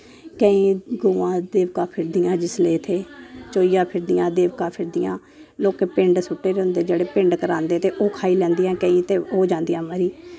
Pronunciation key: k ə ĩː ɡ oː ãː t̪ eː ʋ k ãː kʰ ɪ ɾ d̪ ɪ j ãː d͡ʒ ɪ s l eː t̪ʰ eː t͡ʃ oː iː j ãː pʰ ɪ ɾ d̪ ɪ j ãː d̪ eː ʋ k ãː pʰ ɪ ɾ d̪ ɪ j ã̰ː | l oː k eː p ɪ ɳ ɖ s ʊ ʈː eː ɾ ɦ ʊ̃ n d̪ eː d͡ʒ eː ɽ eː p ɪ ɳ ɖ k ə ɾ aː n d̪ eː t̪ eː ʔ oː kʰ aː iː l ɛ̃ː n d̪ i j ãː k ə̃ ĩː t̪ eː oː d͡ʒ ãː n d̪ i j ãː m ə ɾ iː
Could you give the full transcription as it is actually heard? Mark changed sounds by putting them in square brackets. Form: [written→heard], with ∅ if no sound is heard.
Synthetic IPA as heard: k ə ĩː ɡ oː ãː [t̪→d̪] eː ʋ k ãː [kʰ→pʰ] ɪ ɾ d̪ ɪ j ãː d͡ʒ ɪ s l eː t̪ʰ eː t͡ʃ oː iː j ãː pʰ ɪ ɾ d̪ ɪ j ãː d̪ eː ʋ k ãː pʰ ɪ ɾ d̪ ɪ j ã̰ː | l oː k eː p ɪ ɳ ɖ s ʊ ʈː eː ɾ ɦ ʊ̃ n d̪ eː d͡ʒ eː ɽ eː p ɪ ɳ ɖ k ə ɾ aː n d̪ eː t̪ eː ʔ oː kʰ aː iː l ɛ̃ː n d̪ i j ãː k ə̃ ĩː t̪ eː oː d͡ʒ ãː n d̪ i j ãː m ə ɾ iː